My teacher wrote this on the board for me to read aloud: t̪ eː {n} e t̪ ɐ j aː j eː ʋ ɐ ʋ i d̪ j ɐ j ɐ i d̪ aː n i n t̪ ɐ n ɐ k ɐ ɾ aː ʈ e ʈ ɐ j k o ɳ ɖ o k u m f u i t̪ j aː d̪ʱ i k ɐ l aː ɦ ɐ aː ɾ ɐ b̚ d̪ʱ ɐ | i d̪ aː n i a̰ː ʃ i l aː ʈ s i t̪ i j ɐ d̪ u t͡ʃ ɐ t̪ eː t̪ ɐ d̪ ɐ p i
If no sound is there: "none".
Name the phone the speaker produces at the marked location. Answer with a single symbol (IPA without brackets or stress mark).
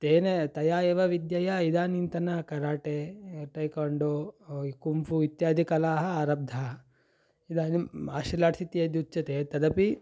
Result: n